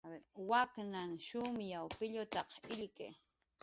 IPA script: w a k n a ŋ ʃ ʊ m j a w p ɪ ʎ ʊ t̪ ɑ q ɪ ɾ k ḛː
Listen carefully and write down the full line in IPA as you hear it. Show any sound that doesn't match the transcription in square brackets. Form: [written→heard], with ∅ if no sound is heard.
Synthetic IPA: w a k n a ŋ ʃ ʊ m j a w p ɪ ʎ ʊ t̪ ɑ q ɪ [ɾ→ʎ] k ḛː